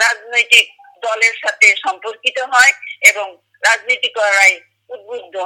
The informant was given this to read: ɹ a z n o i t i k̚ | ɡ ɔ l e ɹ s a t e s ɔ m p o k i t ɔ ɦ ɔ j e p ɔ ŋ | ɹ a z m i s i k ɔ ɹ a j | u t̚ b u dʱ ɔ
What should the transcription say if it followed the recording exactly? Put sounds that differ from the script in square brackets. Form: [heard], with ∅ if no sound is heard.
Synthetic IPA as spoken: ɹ a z n o [j] t i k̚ | [d] ɔ l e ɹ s a t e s ɔ m p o k i t ɔ ɦ ɔ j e [b] ɔ ŋ | ɹ a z [n] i [t] i k ɔ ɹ a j | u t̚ b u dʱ ɔ